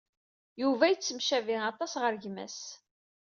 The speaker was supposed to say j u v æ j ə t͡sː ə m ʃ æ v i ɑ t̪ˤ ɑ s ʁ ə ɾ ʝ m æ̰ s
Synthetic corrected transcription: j u v æ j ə t͡sː ə m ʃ æ v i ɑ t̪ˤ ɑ s ʁ ə ɾ ʝ m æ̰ s

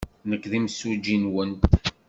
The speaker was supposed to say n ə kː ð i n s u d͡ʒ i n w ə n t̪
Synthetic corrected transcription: n ə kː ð i m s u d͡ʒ i n w ə n t̪

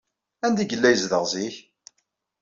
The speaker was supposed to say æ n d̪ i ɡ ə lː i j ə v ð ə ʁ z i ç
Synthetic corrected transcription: æ n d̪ i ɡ ə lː æ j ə z ð ə ʁ z i ç

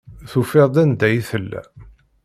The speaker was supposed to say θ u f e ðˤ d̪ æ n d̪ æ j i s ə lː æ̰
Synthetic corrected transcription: θ u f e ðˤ d̪ æ n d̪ æ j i θ ə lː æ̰

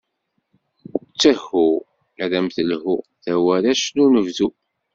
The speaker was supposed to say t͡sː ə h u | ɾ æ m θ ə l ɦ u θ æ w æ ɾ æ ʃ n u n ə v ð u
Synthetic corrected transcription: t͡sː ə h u | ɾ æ m θ ə l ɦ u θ æ w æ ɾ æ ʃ n u n ə v ð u

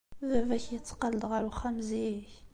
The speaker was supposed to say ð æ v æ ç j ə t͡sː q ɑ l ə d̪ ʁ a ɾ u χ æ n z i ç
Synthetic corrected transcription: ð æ v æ ç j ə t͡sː q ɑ l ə d̪ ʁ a ɾ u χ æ m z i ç

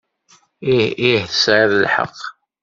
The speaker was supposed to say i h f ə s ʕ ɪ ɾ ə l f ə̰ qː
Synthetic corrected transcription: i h θ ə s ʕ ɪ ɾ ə l ħ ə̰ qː

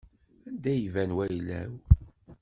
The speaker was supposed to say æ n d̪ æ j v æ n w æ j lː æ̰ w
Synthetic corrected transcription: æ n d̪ æ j v æ n w æ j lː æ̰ w

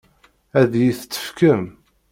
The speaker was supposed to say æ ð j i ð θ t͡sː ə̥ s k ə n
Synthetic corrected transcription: æ ð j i θ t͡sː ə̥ f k ə m

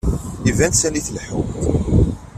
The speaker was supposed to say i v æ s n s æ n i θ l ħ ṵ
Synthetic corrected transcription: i v æ n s æ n i θ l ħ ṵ

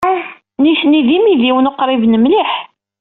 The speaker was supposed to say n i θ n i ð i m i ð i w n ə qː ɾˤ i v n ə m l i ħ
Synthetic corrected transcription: n i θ n i ð i m i ð i w n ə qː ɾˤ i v n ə m l i ħ

